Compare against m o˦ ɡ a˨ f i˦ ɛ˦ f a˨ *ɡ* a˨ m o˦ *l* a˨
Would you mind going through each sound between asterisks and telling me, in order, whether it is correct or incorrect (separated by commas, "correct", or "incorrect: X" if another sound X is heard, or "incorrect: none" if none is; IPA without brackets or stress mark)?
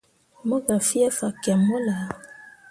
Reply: incorrect: k, correct